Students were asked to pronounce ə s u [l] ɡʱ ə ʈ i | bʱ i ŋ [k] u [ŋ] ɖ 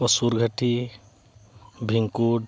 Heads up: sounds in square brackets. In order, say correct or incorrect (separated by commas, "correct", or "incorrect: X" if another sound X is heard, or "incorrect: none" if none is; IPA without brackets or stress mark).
incorrect: ɾ, correct, incorrect: none